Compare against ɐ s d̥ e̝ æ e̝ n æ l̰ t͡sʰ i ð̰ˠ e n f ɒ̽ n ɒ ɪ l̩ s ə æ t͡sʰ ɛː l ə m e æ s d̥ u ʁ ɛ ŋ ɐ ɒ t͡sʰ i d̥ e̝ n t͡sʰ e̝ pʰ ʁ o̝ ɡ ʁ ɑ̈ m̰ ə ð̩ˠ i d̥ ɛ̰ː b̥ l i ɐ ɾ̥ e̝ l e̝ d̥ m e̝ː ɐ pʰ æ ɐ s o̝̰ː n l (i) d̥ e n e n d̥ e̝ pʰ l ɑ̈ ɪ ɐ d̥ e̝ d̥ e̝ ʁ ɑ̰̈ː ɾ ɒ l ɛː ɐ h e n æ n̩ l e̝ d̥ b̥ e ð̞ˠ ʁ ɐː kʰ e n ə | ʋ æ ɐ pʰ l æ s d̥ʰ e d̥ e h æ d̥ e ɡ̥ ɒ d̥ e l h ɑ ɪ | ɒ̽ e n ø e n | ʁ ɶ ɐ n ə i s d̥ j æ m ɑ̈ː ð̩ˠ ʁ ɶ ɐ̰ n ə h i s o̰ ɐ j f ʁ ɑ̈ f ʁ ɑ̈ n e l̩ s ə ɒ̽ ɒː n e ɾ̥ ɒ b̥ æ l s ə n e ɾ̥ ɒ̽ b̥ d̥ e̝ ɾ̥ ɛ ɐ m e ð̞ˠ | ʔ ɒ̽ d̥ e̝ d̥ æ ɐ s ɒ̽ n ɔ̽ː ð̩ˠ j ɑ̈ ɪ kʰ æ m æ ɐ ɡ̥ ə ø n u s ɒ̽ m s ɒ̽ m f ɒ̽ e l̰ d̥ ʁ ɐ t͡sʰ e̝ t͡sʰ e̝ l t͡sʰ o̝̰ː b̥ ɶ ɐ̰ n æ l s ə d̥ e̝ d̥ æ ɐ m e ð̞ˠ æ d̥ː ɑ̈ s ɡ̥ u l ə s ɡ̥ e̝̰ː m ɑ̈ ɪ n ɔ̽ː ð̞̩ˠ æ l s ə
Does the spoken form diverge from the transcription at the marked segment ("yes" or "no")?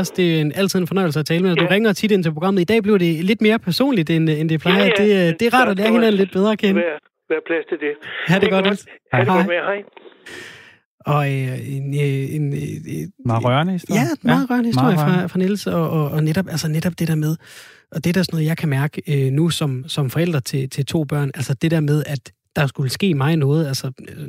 no